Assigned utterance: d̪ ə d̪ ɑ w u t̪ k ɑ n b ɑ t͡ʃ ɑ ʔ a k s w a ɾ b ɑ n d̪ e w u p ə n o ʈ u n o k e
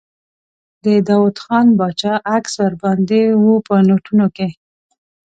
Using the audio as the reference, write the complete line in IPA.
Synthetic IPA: d̪ ə d̪ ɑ w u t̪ x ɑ n b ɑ t͡ʃ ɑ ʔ a k s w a ɾ b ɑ n d̪ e w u p ə n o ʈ u n o k e